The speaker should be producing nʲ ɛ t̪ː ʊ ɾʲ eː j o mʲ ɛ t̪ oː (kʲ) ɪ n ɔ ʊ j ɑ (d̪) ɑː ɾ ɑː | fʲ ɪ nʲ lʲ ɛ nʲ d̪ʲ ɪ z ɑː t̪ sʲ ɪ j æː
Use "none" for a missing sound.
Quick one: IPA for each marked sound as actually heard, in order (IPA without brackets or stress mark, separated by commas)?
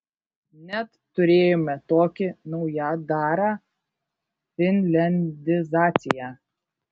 kʲ, d̪